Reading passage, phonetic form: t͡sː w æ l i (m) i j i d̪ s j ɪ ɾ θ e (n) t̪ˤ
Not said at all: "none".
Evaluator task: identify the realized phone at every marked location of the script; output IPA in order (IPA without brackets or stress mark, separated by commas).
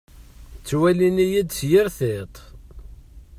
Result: n, none